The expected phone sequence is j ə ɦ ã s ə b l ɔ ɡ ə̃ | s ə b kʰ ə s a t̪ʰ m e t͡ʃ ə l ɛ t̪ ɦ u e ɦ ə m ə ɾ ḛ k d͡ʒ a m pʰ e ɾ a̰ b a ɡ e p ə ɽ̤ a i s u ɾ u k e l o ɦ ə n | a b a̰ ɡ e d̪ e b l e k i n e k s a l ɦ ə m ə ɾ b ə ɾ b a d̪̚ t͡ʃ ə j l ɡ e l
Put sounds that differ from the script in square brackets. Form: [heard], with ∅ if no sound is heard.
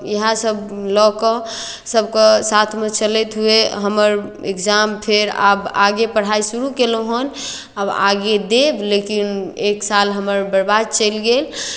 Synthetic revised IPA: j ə ɦ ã s ə b l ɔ [k] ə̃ | s ə b [k] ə s a t̪ʰ m e t͡ʃ ə l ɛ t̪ ɦ u e ɦ ə m ə ɾ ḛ k d͡ʒ a m pʰ e ɾ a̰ b a ɡ e p ə ɽ̤ a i s u ɾ u k e l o ɦ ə n | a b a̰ ɡ e d̪ e b l e k i n e k s a l ɦ ə m ə ɾ b ə ɾ b a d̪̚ t͡ʃ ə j l ɡ e l